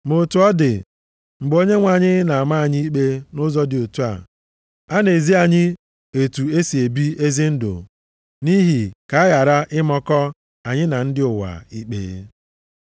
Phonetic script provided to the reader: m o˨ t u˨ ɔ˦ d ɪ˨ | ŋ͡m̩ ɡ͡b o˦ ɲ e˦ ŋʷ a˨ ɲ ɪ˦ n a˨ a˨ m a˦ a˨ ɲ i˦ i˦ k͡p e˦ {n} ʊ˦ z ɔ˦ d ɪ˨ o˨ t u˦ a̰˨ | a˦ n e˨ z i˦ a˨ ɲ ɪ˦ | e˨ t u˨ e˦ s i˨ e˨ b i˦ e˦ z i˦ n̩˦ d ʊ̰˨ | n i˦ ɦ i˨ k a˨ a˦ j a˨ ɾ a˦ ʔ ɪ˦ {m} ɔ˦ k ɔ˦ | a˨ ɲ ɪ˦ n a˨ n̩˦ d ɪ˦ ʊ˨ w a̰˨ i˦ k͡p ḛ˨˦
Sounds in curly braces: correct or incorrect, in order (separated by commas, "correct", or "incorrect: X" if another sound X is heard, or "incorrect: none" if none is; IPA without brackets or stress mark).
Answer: correct, correct